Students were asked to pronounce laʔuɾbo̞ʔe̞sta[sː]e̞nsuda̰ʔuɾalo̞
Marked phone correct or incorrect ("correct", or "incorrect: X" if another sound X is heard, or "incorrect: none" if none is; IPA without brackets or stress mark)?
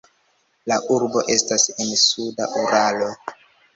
incorrect: s